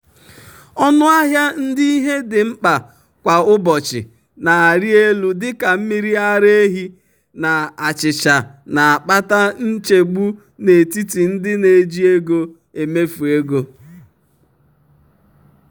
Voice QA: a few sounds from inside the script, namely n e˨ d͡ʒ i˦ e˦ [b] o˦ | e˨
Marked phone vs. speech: incorrect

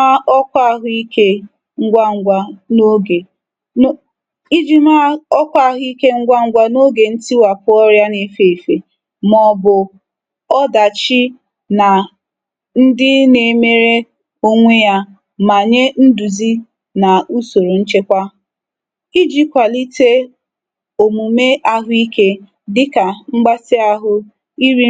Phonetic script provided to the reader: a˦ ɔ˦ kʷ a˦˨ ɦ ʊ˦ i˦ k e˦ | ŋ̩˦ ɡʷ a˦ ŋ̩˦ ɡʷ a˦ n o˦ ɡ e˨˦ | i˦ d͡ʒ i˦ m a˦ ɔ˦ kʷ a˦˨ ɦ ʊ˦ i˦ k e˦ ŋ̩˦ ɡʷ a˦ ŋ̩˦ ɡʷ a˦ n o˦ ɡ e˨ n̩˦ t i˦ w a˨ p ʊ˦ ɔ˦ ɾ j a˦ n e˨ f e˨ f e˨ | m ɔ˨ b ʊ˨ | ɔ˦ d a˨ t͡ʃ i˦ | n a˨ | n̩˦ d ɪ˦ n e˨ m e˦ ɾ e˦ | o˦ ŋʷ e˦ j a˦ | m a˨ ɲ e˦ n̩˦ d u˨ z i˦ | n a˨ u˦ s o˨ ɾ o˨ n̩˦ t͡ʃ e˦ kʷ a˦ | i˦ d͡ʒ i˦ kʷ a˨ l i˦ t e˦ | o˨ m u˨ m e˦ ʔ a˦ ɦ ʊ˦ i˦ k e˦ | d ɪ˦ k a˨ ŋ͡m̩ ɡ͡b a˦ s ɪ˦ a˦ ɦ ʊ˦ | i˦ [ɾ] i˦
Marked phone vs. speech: correct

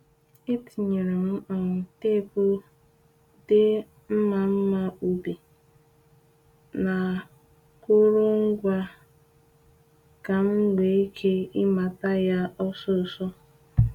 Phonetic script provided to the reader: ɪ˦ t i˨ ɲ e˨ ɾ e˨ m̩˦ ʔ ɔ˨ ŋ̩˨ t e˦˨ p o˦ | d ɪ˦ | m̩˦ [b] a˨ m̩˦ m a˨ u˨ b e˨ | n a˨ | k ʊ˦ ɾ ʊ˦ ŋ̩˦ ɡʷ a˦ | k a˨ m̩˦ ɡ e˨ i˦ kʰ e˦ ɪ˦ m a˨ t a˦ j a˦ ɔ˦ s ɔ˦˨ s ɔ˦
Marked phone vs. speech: incorrect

